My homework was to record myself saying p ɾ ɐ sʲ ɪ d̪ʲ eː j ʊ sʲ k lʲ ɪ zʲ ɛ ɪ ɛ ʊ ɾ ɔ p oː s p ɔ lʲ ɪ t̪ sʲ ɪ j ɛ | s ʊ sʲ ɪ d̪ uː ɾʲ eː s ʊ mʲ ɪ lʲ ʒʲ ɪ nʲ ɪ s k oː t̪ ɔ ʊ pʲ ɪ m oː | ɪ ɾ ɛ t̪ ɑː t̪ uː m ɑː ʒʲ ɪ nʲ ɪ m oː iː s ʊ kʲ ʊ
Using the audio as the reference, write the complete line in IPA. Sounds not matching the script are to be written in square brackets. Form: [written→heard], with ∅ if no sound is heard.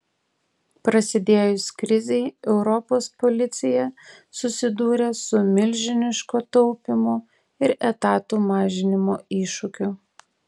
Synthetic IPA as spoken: p ɾ ɐ sʲ ɪ d̪ʲ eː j ʊ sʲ k [lʲ→ɾʲ] ɪ zʲ ɛ ɪ ɛ ʊ ɾ ɔ p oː s p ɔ lʲ ɪ t̪ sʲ ɪ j ɛ | s ʊ sʲ ɪ d̪ uː ɾʲ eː s ʊ mʲ ɪ lʲ ʒʲ ɪ nʲ ɪ [s→ʃ] k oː t̪ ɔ ʊ pʲ ɪ m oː | ɪ ɾ ɛ t̪ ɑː t̪ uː m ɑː ʒʲ ɪ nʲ ɪ m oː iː [s→ʃ] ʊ kʲ ʊ